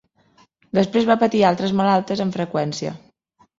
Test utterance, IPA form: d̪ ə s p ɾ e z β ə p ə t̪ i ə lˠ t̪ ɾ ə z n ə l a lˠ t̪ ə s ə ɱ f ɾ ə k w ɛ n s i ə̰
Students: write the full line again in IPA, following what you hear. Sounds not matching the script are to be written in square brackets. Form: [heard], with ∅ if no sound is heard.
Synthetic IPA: d̪ ə s p ɾ e z β [a] p ə t̪ i [a] lˠ t̪ ɾ ə z [m] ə l a lˠ t̪ ə [z] ə ɱ f ɾ ə k w ɛ n s i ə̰